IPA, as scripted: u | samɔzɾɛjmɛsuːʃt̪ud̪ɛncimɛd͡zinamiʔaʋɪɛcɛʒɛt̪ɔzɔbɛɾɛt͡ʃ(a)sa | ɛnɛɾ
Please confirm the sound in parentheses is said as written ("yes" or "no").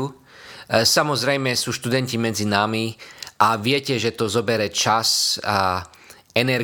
yes